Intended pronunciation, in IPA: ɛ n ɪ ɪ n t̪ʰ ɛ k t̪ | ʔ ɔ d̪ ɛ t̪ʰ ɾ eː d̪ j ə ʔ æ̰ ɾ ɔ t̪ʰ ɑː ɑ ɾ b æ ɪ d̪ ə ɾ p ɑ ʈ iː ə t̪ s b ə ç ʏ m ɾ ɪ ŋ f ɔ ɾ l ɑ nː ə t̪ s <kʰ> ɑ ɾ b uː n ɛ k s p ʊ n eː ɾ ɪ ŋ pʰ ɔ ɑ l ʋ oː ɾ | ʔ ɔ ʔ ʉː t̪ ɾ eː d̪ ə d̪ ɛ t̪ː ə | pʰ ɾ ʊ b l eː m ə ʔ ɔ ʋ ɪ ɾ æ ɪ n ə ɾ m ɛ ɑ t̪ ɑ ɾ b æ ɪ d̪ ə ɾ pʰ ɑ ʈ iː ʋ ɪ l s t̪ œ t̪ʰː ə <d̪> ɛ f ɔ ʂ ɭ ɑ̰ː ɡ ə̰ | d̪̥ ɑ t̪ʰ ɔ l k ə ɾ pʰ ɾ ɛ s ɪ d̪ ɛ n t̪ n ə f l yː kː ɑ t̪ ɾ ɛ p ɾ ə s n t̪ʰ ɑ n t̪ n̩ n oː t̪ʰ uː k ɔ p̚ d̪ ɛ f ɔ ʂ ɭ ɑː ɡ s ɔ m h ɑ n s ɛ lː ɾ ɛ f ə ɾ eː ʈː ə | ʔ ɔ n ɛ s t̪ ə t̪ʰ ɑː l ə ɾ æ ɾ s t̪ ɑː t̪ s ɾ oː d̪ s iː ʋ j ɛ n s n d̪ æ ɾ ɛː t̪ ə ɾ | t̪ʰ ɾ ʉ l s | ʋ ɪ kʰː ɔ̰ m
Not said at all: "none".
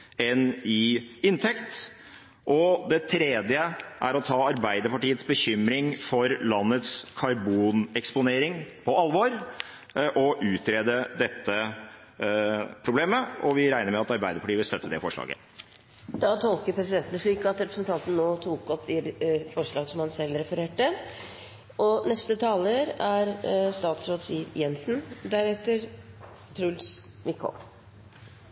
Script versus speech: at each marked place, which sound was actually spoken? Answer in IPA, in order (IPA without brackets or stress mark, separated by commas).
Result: kʰ, d̪